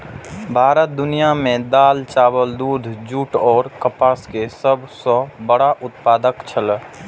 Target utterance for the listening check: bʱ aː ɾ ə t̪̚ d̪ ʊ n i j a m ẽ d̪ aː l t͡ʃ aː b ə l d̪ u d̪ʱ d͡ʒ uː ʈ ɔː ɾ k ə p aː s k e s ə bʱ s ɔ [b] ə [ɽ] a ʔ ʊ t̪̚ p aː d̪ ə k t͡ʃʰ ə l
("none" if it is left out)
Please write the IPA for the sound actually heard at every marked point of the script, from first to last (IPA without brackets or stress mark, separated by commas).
b, ɽ